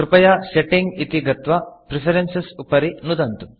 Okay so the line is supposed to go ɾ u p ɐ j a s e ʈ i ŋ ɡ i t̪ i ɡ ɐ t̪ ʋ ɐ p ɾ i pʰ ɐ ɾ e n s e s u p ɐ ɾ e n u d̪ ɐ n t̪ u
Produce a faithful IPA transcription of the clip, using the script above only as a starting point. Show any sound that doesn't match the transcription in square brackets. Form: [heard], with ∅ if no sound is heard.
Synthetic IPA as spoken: ɾ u p ɐ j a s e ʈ i ŋ ɡ i t̪ i ɡ ɐ t̪ ʋ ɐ p ɾ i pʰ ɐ ɾ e n s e s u p ɐ ɾ [i] n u d̪ ɐ n t̪ u